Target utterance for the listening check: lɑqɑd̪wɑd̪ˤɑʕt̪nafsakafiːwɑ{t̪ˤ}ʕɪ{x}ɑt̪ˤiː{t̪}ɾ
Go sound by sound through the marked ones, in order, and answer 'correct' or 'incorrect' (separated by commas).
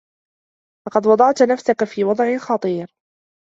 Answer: incorrect, correct, incorrect